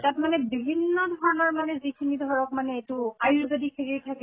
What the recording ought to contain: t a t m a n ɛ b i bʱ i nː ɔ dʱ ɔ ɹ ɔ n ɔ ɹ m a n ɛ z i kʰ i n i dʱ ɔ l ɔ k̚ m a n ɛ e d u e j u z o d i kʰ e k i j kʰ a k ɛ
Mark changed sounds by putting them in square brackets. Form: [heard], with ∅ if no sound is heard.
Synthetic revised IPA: t a t m a n ɛ b i bʱ i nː ɔ dʱ ɔ ɹ ɔ n ɔ ɹ m a n ɛ z i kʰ i n i dʱ ɔ [ɹ] ɔ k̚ m a n ɛ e [t] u [a] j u z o d i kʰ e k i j [tʰ] a k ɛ